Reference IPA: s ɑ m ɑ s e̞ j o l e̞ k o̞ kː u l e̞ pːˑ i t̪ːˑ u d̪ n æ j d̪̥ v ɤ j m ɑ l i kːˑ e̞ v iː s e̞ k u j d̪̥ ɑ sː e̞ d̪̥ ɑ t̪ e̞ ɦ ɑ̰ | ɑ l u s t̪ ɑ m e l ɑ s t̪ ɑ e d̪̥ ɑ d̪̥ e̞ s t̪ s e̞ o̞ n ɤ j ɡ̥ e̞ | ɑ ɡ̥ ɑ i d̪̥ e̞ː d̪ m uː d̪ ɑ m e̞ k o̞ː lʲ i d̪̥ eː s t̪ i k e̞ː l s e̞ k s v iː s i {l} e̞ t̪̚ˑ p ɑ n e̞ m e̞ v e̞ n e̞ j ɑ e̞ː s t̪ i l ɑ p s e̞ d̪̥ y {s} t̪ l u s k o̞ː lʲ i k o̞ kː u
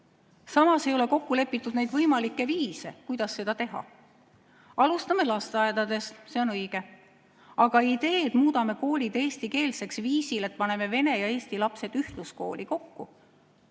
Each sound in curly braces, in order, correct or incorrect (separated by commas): correct, incorrect